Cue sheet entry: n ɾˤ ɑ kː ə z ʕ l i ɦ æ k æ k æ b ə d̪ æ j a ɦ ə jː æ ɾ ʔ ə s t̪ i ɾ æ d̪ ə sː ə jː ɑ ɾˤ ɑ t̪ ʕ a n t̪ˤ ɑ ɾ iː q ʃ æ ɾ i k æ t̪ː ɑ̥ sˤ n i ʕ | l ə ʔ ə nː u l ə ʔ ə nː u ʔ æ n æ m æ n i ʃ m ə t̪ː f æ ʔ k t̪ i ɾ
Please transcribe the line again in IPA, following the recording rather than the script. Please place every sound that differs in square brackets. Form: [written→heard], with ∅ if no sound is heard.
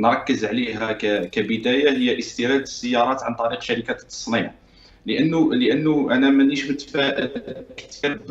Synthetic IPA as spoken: n ɾˤ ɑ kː ə z ʕ l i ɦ æ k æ k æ b ə d̪ æ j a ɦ ə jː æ [ɾ→∅] ʔ ə s t̪ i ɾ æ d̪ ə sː ə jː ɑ ɾˤ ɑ t̪ ʕ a n t̪ˤ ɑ ɾ [iː→i] q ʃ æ ɾ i k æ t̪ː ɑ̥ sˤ n i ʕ | l ə ʔ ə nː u l ə ʔ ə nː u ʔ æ n æ m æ n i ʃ m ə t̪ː f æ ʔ k t̪ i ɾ